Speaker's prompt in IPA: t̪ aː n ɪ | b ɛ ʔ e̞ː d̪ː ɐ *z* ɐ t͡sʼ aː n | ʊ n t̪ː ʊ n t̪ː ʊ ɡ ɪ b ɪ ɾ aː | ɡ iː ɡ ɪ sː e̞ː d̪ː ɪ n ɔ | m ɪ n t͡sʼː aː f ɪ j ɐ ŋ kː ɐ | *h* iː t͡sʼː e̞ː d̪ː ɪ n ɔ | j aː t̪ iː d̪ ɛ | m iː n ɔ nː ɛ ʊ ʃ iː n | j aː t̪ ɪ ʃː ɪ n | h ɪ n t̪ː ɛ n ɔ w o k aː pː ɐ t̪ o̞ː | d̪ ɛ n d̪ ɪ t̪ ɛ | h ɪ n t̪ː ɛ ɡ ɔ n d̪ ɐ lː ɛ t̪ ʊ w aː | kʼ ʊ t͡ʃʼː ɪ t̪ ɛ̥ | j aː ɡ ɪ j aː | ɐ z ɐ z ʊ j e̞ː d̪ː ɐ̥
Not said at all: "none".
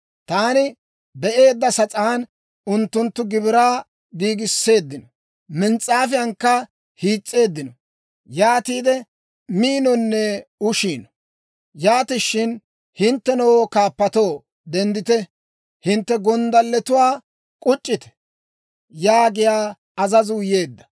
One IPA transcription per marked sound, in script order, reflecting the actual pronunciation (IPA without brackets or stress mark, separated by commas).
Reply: s, h